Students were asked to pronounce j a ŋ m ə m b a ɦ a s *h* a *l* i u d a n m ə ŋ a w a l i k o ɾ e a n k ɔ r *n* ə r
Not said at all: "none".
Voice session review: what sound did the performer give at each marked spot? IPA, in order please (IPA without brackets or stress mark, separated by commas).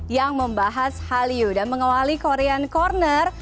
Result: h, l, n